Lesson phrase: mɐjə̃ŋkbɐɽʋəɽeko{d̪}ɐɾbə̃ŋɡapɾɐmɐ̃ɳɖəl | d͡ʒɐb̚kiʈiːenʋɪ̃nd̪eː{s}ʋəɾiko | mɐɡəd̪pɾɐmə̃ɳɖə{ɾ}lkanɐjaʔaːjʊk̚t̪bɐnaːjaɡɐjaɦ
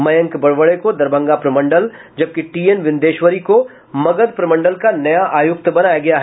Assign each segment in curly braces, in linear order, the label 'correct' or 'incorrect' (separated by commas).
correct, incorrect, incorrect